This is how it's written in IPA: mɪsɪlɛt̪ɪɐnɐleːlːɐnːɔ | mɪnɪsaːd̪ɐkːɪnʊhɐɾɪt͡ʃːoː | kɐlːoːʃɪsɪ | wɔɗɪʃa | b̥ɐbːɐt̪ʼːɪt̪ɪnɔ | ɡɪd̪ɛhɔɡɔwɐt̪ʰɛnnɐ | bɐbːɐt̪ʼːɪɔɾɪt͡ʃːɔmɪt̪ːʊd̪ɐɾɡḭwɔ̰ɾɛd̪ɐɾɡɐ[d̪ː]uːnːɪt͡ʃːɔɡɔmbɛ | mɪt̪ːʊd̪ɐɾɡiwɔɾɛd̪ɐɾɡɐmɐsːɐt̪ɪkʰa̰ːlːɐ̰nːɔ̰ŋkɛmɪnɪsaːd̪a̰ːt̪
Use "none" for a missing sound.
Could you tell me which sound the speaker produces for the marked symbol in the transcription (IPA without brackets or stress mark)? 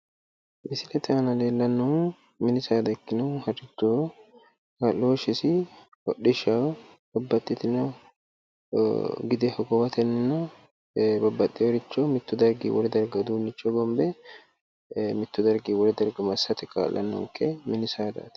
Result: d̪